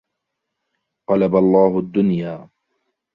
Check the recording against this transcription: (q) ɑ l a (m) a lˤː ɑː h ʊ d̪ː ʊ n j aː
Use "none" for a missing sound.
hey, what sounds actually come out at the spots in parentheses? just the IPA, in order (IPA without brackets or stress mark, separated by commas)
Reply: q, b